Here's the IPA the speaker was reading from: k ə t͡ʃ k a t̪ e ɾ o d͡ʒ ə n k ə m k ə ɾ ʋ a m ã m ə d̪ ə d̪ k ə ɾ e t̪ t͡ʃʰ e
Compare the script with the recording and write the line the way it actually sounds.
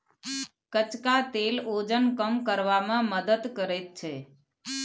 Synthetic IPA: k ə t͡ʃ k a t̪ e l o d͡ʒ ə n k ə m k ə ɾ ʋ a m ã m ə d̪ ə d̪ k ə ɾ e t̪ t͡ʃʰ e